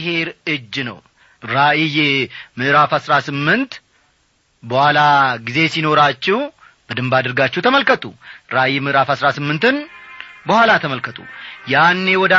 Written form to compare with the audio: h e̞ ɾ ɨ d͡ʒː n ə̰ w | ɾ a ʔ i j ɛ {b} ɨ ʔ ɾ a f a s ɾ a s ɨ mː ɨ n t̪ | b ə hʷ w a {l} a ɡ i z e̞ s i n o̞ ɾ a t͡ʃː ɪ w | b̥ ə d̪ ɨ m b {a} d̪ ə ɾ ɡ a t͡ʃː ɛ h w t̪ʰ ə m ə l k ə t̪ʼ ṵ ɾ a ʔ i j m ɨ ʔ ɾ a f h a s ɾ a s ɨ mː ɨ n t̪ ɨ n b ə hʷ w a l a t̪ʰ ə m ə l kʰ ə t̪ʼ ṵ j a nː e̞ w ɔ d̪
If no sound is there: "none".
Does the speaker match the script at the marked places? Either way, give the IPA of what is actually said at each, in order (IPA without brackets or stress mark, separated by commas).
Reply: m, l, a